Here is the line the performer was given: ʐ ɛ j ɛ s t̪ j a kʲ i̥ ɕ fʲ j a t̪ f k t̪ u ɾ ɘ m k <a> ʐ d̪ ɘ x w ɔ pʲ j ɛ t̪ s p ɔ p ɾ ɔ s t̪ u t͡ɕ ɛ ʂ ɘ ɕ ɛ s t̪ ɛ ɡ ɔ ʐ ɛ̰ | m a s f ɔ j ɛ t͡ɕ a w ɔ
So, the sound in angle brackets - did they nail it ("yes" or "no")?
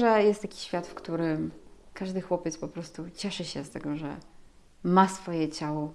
yes